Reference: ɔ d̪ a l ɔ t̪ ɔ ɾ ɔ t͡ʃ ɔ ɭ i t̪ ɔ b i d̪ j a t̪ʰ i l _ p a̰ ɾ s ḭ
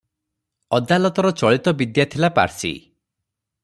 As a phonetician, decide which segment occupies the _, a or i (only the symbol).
a